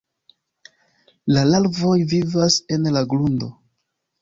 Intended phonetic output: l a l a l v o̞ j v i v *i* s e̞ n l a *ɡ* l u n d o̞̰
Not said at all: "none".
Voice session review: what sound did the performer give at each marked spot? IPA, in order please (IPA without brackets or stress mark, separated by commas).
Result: a, ɡ